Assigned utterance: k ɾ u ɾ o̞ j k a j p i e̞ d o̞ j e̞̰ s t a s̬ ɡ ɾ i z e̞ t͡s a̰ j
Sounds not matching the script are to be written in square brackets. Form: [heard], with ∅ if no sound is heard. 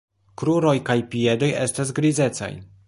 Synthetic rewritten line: k ɾ u ɾ o̞ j k a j p i e̞ d o̞ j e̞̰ s t a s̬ ɡ ɾ i z e̞ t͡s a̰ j